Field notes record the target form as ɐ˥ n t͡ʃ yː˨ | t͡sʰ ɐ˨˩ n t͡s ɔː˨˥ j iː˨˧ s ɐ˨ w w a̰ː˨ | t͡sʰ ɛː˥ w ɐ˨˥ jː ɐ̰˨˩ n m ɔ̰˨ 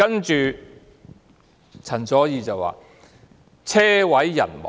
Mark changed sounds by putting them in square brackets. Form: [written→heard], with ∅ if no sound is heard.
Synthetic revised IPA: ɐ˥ n t͡ʃ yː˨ | t͡sʰ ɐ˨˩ n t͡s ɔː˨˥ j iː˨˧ [s→t͡s] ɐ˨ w w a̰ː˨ | t͡sʰ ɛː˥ w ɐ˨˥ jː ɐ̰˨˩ n m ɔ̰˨